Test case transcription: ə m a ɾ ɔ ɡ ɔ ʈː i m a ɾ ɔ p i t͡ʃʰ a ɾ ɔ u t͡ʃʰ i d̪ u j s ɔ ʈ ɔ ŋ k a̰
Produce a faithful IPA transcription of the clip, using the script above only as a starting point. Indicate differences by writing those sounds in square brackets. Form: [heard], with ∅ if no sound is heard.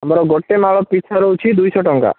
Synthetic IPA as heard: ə m a ɾ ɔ ɡ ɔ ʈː [e] m a [ɭ] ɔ p i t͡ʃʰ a ɾ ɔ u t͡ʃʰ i d̪ u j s ɔ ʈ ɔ ŋ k a̰